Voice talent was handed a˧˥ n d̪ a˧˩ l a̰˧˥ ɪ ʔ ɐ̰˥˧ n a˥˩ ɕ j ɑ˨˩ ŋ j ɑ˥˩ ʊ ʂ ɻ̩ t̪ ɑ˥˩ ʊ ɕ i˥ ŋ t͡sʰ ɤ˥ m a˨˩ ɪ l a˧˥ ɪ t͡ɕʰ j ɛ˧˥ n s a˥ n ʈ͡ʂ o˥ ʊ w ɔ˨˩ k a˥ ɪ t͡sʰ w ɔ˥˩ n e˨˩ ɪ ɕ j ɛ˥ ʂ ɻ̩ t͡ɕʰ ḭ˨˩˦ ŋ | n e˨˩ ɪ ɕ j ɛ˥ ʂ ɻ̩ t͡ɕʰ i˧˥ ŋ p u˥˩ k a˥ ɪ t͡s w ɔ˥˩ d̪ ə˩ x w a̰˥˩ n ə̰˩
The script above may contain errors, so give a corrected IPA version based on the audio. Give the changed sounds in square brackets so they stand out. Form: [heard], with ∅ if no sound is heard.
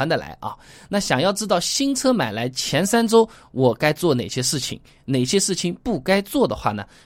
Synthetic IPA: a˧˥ n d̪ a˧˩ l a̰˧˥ ɪ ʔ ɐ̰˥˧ n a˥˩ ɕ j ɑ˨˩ ŋ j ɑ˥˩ ʊ [ʈ͡ʂ] ɻ̩ t̪ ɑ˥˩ ʊ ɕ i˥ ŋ t͡sʰ ɤ˥ m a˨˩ ɪ l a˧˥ ɪ t͡ɕʰ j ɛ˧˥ n s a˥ n ʈ͡ʂ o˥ ʊ w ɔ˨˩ k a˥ ɪ [t͡s] w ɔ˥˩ n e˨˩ ɪ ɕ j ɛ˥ ʂ ɻ̩ t͡ɕʰ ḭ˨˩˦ ŋ | n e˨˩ ɪ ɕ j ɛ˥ ʂ ɻ̩ t͡ɕʰ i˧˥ ŋ p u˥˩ k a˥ ɪ t͡s w ɔ˥˩ d̪ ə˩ x w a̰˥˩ n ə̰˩